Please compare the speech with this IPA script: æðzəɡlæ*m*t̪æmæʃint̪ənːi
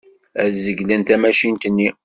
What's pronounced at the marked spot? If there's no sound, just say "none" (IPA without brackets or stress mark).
n